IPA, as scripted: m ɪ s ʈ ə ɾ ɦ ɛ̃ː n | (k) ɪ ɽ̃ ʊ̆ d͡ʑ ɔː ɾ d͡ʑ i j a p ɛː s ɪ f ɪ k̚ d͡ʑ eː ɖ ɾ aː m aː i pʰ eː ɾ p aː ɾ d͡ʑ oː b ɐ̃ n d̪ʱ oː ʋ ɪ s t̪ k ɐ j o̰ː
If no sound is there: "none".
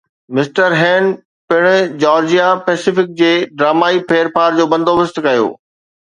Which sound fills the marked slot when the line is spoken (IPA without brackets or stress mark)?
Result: p